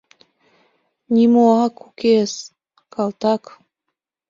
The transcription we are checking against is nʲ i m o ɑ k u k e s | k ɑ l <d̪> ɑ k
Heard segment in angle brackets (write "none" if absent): t̪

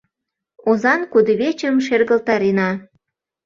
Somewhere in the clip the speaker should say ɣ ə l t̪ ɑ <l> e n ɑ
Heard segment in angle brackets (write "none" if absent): ɾ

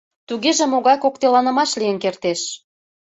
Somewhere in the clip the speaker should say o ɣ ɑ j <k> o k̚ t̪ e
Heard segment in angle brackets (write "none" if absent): k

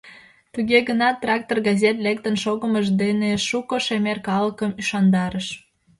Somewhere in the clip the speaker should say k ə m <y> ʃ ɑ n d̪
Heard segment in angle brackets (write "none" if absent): y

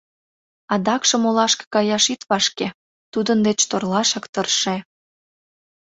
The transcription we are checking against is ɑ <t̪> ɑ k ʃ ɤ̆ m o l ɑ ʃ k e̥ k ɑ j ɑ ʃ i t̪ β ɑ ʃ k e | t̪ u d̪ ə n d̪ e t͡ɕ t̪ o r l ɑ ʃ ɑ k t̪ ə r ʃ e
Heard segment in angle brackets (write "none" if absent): d̪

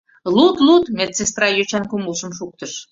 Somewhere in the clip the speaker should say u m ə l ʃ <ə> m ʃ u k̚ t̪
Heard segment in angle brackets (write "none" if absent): ə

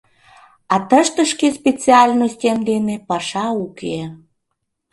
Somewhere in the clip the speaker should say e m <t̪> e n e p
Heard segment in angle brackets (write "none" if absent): d̪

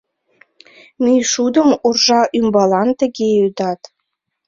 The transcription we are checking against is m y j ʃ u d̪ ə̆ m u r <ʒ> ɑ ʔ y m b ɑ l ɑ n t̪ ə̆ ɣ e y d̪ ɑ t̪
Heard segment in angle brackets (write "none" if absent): ʒ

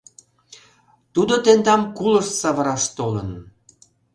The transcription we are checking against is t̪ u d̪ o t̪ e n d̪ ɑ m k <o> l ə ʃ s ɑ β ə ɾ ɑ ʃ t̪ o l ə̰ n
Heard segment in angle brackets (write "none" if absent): u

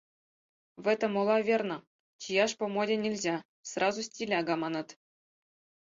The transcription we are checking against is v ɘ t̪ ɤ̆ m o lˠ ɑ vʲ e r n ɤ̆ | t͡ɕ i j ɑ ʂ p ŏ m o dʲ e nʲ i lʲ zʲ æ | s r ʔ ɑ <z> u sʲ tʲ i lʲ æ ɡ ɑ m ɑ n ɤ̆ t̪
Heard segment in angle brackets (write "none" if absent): z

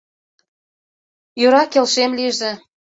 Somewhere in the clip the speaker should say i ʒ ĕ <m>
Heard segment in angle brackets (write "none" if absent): none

